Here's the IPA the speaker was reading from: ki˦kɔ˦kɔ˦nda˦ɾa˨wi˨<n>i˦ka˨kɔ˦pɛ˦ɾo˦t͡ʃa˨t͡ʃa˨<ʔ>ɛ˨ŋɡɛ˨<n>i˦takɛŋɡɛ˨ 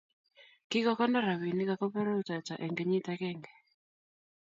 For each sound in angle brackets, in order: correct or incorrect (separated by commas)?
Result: correct, correct, incorrect